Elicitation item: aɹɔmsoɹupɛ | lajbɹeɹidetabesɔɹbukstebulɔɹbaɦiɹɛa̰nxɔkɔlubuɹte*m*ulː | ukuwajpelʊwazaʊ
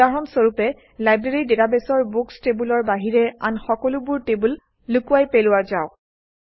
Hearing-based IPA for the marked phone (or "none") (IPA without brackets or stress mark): b